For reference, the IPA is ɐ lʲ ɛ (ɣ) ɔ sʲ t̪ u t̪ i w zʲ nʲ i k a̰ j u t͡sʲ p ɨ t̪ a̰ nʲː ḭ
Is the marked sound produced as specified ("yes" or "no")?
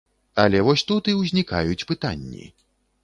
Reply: no